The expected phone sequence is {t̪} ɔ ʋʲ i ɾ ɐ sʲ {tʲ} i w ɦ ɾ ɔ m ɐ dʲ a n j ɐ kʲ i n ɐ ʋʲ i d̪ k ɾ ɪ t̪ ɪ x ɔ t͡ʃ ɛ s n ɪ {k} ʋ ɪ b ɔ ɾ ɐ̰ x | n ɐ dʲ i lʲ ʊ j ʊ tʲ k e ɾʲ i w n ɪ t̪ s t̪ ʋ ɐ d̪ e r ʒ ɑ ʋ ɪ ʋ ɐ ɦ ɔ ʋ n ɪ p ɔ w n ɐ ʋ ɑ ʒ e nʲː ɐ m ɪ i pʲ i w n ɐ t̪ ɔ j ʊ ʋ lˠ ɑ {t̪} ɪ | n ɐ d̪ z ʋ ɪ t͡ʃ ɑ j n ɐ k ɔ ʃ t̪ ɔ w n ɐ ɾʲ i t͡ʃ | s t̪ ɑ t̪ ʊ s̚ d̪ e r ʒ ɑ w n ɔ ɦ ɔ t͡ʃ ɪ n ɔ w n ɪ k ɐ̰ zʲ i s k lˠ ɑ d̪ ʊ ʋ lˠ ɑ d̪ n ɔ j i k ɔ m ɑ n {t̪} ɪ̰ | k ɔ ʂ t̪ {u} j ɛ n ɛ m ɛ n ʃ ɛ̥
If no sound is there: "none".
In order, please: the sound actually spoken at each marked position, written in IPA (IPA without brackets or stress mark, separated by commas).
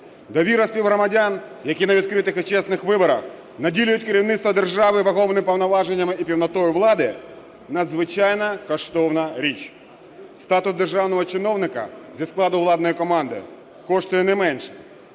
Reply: d̪, pʲ, x, d̪, d̪, ʊ